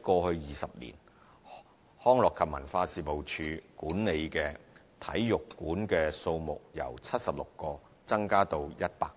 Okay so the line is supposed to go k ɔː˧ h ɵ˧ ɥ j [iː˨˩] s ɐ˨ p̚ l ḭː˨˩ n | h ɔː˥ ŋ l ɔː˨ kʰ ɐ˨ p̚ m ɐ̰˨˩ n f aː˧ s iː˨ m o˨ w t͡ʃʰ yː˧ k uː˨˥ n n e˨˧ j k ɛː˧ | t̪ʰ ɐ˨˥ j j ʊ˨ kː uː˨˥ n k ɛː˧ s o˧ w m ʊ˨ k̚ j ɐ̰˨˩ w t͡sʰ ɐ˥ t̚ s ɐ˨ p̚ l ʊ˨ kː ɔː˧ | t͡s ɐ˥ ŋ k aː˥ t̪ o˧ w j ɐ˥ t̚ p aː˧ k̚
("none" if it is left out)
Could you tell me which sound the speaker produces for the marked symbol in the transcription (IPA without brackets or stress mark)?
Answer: iː˨˩